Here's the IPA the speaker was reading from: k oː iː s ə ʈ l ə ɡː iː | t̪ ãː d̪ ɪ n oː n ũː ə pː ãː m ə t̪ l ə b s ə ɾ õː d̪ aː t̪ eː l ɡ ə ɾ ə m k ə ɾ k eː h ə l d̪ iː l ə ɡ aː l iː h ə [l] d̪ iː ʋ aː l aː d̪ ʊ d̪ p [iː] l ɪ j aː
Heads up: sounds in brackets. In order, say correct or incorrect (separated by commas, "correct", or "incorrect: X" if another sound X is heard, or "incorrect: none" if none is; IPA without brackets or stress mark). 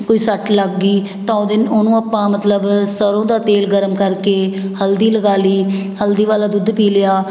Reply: correct, correct